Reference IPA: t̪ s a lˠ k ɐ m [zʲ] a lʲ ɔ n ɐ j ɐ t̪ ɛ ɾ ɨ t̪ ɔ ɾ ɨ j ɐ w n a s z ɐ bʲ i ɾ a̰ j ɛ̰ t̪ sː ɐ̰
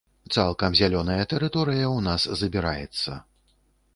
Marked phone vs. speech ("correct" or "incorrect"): correct